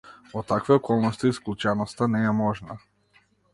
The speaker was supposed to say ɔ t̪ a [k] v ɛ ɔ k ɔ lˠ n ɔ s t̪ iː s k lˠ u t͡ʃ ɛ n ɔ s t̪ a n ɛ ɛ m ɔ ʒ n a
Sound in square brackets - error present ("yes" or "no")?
no